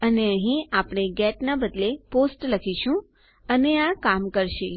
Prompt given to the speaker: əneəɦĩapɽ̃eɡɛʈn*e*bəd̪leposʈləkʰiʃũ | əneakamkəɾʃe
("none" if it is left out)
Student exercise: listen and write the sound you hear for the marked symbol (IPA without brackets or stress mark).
a